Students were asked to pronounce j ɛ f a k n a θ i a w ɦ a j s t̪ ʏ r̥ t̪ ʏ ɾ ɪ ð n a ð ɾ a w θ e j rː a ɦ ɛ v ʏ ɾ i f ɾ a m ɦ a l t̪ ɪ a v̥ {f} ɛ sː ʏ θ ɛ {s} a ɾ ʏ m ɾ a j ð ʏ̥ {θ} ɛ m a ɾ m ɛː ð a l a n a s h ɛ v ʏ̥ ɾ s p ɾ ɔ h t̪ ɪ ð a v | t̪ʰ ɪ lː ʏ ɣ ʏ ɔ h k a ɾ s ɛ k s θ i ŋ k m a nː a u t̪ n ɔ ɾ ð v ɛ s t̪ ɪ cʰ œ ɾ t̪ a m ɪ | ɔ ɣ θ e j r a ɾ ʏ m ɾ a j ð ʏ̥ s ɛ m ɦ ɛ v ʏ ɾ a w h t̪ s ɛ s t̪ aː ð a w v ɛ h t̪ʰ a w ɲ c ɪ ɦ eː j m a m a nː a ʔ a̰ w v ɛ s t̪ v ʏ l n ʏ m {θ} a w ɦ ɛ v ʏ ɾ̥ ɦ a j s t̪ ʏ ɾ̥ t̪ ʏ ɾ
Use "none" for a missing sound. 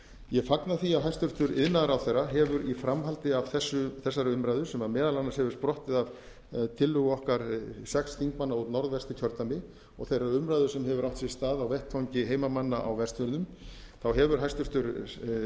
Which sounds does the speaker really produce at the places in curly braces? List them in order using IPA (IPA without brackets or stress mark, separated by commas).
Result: θ, sː, s, θ